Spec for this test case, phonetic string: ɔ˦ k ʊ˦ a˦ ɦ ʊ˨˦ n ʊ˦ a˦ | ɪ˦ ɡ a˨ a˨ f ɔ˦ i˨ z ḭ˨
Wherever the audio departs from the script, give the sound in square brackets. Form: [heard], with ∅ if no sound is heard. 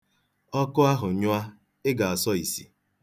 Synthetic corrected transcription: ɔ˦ k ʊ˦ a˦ ɦ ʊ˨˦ [ɲ] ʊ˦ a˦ | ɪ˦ ɡ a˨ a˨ [s] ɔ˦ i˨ [s] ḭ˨